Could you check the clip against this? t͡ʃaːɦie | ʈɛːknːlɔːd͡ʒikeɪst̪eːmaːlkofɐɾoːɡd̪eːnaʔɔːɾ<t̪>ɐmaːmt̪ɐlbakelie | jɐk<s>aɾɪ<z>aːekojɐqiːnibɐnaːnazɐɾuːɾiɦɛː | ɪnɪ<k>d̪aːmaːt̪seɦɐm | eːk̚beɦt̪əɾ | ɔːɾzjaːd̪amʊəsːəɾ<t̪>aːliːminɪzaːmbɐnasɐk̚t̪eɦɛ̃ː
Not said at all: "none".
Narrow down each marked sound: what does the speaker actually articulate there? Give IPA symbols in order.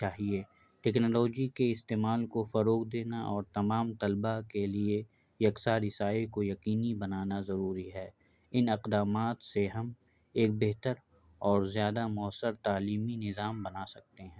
t̪, s, s, q, t̪

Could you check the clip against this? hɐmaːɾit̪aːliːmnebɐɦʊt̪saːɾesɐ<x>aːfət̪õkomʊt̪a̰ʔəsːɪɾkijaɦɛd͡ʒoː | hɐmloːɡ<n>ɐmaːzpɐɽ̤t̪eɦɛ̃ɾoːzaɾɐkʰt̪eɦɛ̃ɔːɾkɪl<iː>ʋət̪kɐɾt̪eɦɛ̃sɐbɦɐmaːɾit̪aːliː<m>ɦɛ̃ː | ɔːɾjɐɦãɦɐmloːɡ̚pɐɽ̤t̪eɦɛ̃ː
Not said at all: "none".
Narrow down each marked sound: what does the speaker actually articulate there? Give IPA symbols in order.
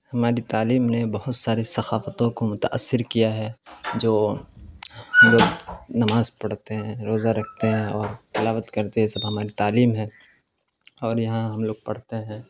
x, n, aː, m

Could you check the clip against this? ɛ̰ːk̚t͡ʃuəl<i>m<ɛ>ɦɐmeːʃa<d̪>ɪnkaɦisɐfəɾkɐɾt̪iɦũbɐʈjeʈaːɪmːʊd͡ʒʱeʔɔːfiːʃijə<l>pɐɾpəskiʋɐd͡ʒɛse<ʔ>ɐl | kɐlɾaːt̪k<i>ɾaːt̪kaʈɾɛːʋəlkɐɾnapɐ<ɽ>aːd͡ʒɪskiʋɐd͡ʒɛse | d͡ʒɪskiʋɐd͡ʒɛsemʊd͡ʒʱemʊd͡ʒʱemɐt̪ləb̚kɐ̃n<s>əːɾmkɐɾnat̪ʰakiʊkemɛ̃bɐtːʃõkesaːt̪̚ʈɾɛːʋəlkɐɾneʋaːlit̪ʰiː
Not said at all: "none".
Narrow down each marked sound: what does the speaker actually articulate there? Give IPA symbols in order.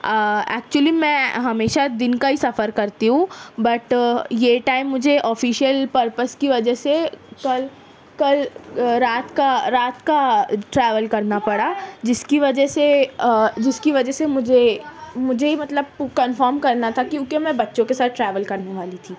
i, ɛ̃, d̪, l, k, a, ɽ, f

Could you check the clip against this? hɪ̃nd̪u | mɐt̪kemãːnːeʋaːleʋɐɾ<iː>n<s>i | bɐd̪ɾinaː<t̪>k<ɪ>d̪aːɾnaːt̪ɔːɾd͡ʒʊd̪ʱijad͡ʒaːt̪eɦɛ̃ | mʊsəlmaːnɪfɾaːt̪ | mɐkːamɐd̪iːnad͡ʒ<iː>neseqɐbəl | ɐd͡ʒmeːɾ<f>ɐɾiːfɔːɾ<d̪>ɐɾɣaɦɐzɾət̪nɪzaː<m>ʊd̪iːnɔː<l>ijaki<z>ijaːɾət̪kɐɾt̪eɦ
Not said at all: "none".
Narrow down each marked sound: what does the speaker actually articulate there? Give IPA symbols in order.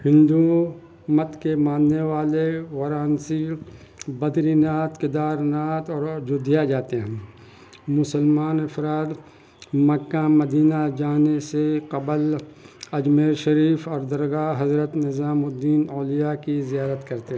aː, s, t̪, ɪ, aː, ʃ, d̪, m, l, z

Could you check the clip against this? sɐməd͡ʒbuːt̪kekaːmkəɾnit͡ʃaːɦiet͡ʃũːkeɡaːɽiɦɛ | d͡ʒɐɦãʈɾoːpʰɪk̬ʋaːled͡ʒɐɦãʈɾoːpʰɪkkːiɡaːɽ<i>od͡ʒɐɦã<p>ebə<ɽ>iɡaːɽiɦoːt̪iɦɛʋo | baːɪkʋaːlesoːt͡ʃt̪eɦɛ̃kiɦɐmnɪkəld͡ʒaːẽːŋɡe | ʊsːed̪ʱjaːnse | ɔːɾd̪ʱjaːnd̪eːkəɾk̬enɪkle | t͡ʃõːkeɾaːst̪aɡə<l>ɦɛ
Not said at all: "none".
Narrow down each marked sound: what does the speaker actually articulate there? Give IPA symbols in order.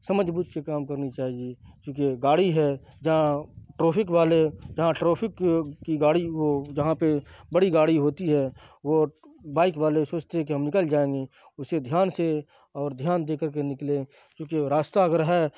i, p, ɽ, ɾ

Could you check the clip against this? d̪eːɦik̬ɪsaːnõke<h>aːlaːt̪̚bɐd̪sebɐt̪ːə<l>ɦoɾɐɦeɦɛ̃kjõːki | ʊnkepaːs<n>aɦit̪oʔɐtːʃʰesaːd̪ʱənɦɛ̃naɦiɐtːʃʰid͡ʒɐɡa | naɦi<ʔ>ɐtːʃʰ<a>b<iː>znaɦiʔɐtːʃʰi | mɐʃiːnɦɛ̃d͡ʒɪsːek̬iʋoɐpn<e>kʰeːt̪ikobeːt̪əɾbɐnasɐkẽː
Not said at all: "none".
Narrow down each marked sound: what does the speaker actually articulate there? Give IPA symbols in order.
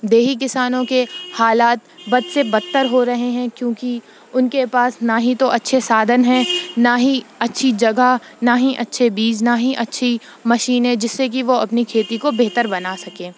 h, ɾ, n, ʔ, e, iː, i

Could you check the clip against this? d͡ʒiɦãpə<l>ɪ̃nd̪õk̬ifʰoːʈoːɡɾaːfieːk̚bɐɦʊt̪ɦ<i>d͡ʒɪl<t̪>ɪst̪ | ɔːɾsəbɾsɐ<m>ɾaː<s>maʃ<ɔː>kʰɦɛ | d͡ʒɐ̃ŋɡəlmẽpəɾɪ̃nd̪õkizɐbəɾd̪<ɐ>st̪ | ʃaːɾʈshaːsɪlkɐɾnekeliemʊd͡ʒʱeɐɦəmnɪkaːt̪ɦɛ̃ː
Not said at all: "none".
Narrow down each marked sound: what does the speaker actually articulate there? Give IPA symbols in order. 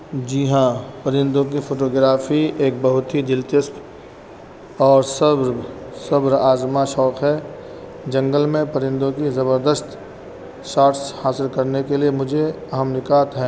ɾ, i, t̪, b, z, ɔː, ə

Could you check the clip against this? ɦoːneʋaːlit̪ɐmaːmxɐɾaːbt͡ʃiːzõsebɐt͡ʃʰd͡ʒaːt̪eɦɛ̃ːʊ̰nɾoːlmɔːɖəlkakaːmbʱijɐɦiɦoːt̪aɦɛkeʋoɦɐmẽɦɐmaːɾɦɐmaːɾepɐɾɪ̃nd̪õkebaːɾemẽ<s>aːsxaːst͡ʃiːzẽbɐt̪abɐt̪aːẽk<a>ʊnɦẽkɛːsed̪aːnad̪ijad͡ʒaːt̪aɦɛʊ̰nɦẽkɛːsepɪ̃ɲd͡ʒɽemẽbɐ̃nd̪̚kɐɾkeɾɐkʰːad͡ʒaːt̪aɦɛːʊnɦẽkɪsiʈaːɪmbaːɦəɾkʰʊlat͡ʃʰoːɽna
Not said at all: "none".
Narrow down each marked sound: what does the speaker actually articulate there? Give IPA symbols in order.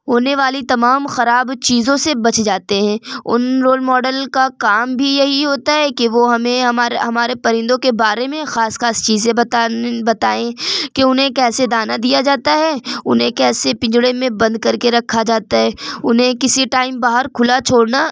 x, e

